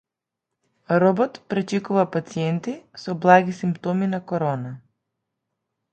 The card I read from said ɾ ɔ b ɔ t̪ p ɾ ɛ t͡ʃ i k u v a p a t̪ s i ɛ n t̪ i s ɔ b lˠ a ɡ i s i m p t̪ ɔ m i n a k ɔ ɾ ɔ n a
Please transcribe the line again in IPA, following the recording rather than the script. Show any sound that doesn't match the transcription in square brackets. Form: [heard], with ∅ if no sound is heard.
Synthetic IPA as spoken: ɾ ɔ b ɔ t̪ p ɾ ɛ t͡ʃ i k u v a p a t̪ s i ɛ n t̪ i s ɔ b lˠ a ɡ i s i m p t̪ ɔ m i n a k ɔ ɾ ɔ n a